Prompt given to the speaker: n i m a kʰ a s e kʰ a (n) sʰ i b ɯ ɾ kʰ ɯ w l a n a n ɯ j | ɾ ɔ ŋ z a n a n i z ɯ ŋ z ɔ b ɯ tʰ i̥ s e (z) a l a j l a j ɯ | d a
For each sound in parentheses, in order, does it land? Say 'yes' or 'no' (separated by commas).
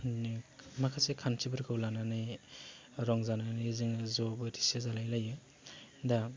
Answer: yes, yes